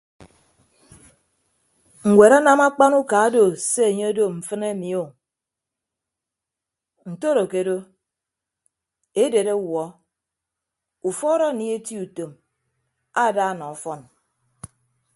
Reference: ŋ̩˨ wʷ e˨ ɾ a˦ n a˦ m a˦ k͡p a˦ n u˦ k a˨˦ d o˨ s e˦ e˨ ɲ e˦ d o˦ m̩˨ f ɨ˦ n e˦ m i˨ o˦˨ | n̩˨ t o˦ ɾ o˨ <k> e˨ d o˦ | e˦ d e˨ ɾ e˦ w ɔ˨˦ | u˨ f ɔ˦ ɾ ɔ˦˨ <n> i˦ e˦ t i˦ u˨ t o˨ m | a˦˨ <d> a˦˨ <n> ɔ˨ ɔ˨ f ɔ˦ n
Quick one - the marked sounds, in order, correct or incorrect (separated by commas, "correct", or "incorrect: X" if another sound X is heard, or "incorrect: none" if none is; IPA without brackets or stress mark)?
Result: correct, correct, correct, correct